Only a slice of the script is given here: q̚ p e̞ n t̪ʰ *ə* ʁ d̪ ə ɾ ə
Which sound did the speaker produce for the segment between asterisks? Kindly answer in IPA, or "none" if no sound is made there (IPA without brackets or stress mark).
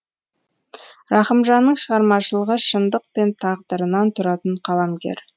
ɑ